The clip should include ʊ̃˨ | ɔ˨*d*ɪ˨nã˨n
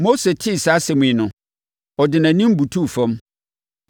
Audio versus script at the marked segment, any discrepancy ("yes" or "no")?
no